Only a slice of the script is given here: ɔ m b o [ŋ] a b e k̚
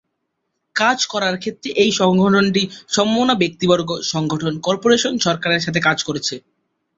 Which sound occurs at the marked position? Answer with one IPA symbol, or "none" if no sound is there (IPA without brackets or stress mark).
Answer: n